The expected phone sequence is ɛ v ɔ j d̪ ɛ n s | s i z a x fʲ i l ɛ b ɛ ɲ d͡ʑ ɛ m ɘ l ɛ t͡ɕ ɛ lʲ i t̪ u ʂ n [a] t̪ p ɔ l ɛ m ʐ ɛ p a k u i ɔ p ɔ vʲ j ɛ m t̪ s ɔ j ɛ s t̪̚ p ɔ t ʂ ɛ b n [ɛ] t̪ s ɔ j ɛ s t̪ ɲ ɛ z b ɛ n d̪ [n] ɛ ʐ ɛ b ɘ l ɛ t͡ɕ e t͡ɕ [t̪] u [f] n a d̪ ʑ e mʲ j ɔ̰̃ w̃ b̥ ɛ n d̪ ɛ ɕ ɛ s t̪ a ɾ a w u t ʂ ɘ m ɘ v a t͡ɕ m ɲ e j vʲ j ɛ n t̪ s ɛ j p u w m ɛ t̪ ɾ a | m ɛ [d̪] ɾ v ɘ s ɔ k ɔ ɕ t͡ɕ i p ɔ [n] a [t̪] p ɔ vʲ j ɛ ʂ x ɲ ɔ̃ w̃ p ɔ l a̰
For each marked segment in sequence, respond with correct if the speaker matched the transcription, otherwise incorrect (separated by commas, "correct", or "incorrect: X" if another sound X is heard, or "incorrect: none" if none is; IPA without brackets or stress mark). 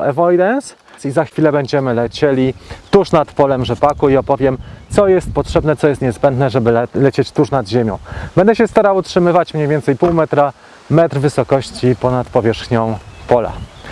correct, correct, correct, correct, incorrect: ʂ, incorrect: t̪, correct, correct